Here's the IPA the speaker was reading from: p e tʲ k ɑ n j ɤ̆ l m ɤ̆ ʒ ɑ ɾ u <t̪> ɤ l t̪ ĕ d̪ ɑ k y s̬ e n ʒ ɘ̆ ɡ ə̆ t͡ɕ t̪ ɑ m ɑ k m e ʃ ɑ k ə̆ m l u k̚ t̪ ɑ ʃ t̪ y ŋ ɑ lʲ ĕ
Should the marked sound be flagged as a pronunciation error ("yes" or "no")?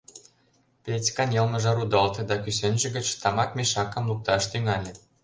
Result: yes